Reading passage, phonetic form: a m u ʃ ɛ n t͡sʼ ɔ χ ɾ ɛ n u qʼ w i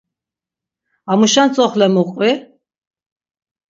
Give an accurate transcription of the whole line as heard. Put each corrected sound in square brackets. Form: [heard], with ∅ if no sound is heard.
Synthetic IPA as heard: a m u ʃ [a] n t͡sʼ ɔ χ [l] ɛ [m] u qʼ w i